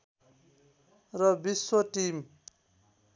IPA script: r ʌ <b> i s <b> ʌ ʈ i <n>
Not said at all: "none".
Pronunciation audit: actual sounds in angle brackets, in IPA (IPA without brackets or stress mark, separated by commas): b, w, m